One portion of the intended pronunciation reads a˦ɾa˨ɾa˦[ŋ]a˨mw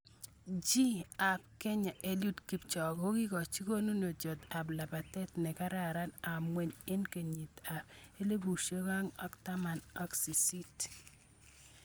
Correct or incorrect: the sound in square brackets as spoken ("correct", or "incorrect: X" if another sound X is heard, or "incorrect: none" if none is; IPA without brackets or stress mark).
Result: incorrect: n